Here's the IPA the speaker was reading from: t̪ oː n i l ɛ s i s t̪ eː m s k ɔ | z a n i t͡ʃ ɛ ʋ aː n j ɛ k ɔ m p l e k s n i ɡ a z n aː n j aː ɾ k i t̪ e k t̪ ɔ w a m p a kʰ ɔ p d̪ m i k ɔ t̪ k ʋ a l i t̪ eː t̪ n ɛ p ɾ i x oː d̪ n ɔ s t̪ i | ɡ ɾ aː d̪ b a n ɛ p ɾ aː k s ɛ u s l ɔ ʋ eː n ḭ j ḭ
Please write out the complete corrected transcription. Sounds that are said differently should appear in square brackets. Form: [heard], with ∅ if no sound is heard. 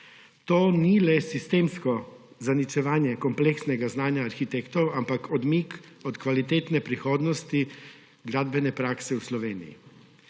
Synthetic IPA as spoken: t̪ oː n i l ɛ s i s t̪ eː m s k ɔ | z a n i t͡ʃ ɛ ʋ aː n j ɛ k ɔ m p l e k s n [ɛ] ɡ a z n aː n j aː ɾ [x] i t̪ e k t̪ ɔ w a m p a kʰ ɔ [∅] d̪ m i k ɔ t̪ k ʋ a l i t̪ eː t̪ n ɛ p ɾ i x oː d̪ n ɔ s t̪ i | ɡ ɾ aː d̪ b [ɛ] n ɛ p ɾ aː k s ɛ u s l ɔ ʋ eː n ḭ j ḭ